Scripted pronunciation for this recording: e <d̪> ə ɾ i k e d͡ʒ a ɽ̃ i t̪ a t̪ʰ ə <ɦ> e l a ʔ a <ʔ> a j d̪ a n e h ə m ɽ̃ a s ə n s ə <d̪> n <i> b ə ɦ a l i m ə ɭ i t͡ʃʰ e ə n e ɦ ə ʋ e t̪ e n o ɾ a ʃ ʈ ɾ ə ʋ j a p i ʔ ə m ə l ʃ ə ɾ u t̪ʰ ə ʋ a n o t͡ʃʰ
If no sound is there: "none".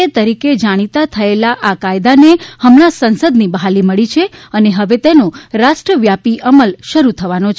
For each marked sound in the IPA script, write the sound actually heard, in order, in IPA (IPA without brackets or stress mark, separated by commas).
t̪, none, k, d̪, i